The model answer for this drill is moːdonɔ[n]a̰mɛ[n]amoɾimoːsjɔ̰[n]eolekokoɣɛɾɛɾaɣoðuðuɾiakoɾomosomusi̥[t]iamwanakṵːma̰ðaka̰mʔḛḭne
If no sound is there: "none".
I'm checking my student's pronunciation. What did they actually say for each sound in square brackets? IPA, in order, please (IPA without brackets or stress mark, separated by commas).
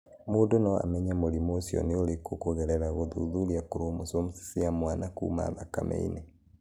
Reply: none, ɲ, n, s